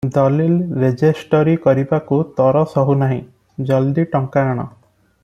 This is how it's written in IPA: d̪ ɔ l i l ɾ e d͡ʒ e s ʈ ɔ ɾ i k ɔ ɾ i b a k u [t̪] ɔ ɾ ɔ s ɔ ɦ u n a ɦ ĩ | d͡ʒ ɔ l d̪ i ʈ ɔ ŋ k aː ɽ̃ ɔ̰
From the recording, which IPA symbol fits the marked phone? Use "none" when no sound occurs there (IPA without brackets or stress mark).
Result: t̪